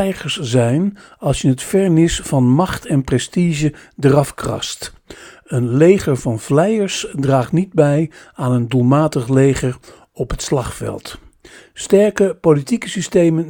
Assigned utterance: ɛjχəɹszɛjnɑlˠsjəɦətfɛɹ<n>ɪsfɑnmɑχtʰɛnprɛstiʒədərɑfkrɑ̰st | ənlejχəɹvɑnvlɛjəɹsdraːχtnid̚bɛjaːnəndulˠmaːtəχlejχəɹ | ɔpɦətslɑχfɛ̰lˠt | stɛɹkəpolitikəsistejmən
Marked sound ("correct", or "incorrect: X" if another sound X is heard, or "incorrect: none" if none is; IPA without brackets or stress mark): correct